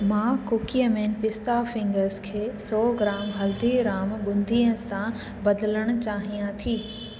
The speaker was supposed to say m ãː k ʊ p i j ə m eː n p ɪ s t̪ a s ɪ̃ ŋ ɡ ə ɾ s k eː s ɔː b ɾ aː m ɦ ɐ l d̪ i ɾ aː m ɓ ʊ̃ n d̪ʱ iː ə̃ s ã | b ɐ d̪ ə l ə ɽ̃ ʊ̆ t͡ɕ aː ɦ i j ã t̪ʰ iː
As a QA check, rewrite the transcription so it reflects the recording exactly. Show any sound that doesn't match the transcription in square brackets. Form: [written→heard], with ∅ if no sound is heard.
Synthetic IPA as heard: m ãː k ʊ [p→k] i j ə m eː n p ɪ s t̪ a [s→f] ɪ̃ ŋ ɡ ə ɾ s [k→kʰ] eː s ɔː [b→ɡ] ɾ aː m ɦ ɐ l d̪ i ɾ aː m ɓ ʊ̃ n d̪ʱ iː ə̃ s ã | b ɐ d̪ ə l ə ɽ̃ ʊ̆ t͡ɕ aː ɦ i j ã t̪ʰ iː